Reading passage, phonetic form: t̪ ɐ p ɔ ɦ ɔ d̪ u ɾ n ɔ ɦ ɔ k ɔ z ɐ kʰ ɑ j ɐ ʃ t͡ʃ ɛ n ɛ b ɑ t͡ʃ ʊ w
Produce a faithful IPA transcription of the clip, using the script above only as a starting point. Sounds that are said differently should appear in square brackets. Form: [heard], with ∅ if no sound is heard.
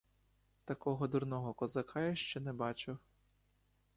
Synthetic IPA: t̪ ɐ [k] ɔ ɦ ɔ d̪ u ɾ n ɔ ɦ ɔ k ɔ z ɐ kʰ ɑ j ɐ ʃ t͡ʃ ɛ n ɛ b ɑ t͡ʃ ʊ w